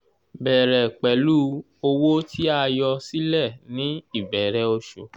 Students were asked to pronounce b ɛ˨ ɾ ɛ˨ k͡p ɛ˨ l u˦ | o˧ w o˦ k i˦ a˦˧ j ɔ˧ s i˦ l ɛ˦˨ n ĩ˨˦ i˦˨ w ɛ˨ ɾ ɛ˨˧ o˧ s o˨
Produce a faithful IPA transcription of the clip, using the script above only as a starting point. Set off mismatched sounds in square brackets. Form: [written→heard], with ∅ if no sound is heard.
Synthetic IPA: b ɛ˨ ɾ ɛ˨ k͡p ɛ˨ l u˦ | o˧ w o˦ [k→t] i˦ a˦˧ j ɔ˧ s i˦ l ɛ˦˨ n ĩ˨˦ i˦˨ [w→b] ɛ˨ ɾ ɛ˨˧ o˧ [s→ʃ] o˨